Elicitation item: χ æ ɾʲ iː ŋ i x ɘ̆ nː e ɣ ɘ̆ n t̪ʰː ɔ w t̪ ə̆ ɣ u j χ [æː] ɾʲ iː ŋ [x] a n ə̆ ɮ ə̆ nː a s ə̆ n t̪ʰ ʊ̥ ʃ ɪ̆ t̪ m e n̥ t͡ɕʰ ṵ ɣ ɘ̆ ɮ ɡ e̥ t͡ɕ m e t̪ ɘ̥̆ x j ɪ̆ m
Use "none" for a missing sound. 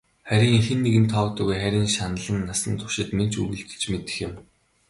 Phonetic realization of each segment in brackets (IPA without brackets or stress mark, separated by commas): æ, ʃ